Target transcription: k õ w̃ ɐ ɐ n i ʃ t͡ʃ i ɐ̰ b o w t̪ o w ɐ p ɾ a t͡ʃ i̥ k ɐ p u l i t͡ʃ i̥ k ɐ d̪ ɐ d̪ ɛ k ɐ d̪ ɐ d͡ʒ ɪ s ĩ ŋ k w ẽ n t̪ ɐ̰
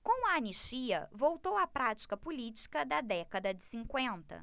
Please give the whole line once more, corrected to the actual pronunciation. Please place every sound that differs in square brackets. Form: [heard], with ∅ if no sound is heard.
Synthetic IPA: k õ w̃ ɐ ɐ n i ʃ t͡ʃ i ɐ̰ [v] o w t̪ o w ɐ p ɾ a t͡ʃ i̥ k ɐ p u l i t͡ʃ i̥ k ɐ d̪ ɐ d̪ ɛ k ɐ d̪ ɐ d͡ʒ ɪ s ĩ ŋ k w ẽ n t̪ ɐ̰